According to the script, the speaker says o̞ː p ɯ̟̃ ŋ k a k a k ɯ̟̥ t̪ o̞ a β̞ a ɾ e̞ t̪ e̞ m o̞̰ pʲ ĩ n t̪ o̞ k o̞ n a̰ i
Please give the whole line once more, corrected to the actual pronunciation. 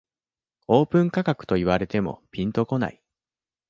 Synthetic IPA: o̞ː p ɯ̟̃ ŋ k a k a k ɯ̟̥ t̪ o̞ i β̞ a ɾ e̞ t̪ e̞ m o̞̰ pʲ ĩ n t̪ o̞ k o̞ n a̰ i